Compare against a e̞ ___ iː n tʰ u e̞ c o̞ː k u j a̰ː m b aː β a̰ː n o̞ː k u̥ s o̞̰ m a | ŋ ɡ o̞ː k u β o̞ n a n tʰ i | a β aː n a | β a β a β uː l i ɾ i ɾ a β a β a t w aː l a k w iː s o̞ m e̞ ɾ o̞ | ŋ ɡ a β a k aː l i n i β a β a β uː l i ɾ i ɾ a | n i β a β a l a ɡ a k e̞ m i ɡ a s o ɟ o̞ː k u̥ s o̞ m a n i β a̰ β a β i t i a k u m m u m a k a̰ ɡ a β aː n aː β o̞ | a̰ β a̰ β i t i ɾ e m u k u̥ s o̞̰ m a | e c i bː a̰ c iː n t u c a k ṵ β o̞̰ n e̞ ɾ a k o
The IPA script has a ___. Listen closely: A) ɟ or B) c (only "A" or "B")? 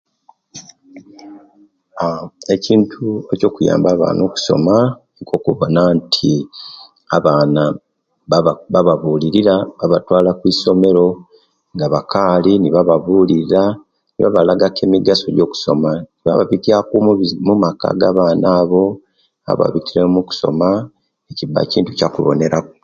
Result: B